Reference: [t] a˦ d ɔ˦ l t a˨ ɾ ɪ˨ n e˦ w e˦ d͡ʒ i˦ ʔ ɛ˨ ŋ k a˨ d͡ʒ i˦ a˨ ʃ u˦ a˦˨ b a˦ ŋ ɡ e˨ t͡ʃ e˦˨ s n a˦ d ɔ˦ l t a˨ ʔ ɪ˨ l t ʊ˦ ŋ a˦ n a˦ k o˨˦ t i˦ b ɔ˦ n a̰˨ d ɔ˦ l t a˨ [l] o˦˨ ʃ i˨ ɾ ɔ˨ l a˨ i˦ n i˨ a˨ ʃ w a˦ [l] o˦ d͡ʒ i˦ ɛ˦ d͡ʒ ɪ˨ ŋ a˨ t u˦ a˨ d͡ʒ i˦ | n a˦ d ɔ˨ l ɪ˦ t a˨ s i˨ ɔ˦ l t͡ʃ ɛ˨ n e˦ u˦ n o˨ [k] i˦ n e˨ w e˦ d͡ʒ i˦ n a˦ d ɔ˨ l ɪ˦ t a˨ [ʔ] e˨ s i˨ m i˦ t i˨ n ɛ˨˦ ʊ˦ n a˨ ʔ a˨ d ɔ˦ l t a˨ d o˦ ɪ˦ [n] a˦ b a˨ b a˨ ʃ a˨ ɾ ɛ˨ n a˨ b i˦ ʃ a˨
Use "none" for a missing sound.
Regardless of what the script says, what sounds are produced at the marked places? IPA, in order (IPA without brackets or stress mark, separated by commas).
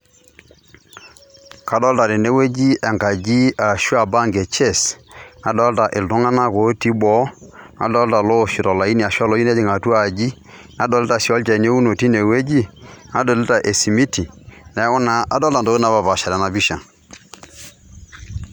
k, l, l, t, ʔ, n